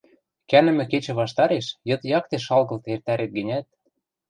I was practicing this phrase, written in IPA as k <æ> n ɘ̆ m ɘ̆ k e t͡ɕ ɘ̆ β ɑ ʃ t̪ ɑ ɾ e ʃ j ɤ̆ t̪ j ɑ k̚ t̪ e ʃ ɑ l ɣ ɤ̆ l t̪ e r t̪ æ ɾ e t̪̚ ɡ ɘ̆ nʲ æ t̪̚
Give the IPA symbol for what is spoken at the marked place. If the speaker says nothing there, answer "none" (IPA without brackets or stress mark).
æ